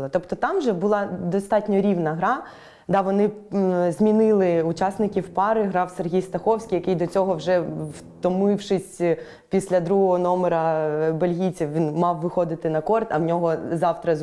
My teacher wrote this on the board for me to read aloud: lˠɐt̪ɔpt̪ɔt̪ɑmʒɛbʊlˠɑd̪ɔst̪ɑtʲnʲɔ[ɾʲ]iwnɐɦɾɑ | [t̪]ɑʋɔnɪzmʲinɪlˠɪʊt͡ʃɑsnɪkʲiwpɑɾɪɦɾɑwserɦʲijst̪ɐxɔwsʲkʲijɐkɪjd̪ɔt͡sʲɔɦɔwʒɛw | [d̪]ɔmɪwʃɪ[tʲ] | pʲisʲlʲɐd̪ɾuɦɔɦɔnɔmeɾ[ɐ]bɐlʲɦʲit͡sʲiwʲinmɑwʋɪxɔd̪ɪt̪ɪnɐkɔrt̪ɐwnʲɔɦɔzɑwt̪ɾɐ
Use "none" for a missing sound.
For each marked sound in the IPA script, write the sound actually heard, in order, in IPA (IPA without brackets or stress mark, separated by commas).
ɾʲ, d̪, t̪, sʲ, ɐ